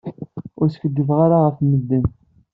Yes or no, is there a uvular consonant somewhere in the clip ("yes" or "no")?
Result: yes